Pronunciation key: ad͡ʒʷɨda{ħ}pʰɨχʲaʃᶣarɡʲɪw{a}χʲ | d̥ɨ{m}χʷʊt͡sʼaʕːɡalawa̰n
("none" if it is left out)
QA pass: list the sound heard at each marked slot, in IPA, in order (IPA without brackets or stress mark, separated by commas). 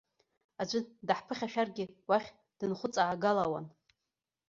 ħ, a, n